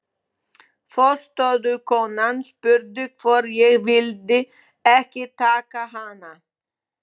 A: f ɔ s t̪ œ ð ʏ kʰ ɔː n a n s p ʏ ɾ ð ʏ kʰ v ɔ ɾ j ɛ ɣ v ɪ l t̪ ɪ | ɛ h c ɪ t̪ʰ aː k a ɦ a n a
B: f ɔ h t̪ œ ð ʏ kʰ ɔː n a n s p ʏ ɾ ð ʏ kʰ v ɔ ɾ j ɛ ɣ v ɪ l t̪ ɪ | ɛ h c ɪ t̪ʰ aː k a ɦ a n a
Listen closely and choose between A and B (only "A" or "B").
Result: A